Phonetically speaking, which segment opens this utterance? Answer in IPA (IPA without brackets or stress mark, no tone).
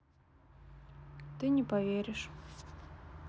t̪